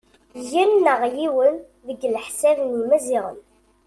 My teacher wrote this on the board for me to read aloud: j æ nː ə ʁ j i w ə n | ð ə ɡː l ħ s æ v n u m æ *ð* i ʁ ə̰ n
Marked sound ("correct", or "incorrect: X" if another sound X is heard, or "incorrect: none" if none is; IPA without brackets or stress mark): incorrect: z